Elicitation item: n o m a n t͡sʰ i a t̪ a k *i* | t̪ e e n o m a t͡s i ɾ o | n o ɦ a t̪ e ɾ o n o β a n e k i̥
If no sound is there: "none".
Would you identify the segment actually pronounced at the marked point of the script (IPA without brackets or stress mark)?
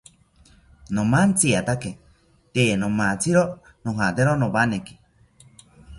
e